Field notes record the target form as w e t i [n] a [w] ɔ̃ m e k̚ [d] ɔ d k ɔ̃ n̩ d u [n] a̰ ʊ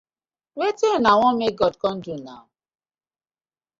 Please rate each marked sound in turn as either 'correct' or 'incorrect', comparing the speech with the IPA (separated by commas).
correct, correct, incorrect, correct